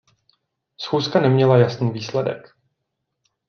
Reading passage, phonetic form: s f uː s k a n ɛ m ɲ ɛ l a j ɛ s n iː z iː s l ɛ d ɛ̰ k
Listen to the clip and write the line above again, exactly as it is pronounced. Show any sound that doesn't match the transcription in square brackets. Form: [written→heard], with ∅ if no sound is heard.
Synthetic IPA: s [f→x] uː s k a n ɛ m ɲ ɛ l a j [ɛ→a] s n iː [z→v] iː s l ɛ d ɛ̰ k